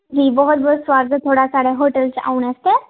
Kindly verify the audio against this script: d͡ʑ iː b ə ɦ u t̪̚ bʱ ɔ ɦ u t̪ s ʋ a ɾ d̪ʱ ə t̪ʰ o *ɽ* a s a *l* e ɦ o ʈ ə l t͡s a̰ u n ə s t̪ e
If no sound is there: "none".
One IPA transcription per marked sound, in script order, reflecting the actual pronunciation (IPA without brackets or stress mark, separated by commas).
ɽ, ɽ